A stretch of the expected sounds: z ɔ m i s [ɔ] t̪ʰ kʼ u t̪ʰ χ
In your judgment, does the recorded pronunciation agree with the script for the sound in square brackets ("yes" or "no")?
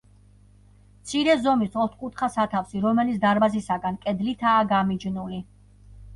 yes